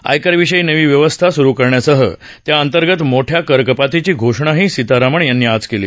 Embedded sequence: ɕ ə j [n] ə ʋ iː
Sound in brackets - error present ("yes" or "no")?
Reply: no